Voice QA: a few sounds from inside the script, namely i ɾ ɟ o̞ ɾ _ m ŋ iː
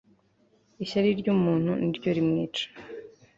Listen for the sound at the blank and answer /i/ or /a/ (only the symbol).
i